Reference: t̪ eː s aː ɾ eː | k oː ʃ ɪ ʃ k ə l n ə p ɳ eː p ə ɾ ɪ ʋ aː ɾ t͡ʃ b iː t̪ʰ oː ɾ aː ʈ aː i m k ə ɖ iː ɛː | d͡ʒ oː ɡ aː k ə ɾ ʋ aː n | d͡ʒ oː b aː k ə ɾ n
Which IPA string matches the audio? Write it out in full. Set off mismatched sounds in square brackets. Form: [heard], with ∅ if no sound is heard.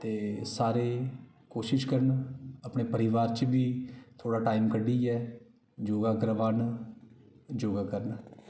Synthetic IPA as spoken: t̪ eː s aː ɾ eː | k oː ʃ ɪ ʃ k ə [ɾ] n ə p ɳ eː p ə ɾ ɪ ʋ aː ɾ t͡ʃ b iː t̪ʰ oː [ɽ] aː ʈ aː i m k ə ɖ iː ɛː | d͡ʒ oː ɡ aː k ə ɾ ʋ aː n | d͡ʒ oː [ɡ] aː k ə ɾ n